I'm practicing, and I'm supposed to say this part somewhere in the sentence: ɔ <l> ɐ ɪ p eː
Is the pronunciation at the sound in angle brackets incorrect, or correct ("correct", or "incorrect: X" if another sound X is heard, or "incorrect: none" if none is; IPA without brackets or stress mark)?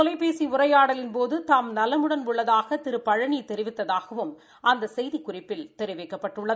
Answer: correct